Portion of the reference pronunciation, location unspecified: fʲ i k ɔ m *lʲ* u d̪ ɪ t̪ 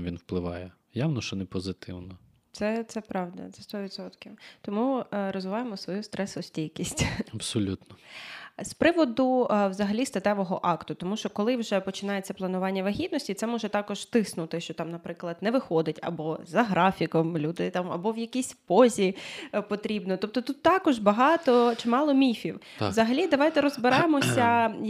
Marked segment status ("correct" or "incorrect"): correct